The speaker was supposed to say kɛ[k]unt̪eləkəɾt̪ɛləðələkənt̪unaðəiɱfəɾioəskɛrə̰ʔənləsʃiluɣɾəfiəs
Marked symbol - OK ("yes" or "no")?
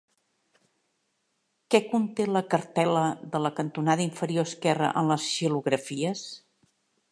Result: yes